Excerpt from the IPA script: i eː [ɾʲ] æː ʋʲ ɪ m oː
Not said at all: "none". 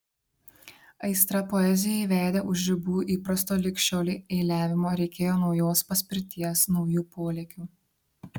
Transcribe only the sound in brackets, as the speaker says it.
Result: lʲ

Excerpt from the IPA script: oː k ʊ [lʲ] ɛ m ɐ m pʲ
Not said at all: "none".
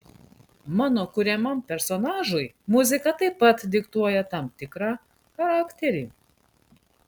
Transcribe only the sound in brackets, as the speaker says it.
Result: ɾʲ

